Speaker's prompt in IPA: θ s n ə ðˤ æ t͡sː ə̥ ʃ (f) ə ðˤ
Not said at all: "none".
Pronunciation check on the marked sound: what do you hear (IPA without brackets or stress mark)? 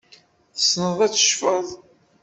f